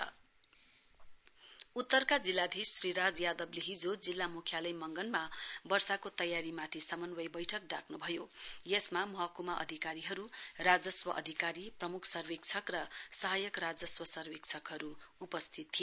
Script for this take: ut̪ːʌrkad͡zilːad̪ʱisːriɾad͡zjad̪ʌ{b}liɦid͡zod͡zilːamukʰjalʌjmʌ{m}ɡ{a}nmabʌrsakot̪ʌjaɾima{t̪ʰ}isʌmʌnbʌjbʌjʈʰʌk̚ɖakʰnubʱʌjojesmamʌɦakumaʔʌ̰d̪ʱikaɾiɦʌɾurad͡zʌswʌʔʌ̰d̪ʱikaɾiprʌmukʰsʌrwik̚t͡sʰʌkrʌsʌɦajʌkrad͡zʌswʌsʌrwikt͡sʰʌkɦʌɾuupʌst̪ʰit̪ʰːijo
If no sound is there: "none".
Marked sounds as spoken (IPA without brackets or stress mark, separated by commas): b, ŋ, ʌ, t̪ʰ